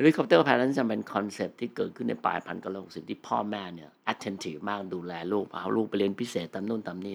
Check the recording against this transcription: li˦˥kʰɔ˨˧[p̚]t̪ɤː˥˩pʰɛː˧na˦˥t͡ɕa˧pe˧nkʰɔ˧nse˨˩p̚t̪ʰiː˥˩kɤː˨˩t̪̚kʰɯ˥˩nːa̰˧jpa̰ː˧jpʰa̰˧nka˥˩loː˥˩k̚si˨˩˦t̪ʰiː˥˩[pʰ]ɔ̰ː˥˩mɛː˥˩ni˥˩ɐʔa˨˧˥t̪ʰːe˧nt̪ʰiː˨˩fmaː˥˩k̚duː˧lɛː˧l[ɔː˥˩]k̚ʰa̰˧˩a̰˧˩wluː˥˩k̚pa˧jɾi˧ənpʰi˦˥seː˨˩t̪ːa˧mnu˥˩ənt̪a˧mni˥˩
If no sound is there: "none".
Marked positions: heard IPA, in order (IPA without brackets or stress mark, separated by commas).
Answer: p̚, pʰ, uː˥˩